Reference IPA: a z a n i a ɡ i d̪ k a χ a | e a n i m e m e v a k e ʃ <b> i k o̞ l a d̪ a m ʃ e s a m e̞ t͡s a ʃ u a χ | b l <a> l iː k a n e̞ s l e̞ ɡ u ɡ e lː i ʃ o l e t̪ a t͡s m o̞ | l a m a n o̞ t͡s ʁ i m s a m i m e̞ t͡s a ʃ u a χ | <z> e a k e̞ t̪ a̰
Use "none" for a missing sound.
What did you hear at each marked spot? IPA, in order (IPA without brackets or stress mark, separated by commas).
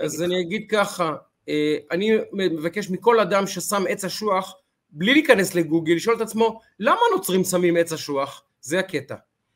m, i, z